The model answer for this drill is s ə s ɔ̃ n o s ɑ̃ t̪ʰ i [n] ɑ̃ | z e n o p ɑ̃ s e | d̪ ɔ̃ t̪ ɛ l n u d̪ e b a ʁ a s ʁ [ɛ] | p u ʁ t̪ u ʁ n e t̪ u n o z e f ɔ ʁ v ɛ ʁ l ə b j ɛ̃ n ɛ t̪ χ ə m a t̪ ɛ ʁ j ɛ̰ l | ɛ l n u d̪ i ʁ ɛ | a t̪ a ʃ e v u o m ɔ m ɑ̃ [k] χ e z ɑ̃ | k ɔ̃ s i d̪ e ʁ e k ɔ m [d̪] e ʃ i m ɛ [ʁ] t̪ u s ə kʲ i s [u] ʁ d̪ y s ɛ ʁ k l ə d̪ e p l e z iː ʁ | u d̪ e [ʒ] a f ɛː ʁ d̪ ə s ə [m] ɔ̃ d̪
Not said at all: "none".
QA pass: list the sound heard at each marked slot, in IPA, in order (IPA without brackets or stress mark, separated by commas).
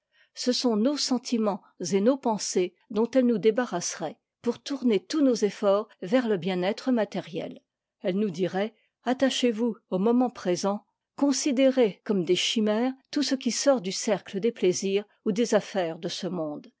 m, ɛ, p, d̪, ʁ, ɔ, z, m